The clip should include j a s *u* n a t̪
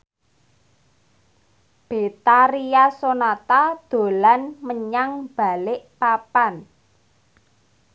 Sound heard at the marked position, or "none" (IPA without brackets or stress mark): o